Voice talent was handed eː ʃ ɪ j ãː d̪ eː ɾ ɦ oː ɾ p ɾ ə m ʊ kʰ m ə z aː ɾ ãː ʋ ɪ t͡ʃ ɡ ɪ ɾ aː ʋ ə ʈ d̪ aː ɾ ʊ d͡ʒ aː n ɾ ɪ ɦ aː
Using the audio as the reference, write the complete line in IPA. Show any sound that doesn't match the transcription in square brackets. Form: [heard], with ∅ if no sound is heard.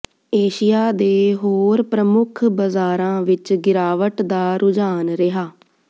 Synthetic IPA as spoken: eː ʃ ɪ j [aː] d̪ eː [∅] ɦ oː ɾ p ɾ ə m ʊ kʰ [b] ə z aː ɾ ãː ʋ ɪ t͡ʃ ɡ ɪ ɾ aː ʋ ə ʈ d̪ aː ɾ ʊ d͡ʒ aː n ɾ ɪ ɦ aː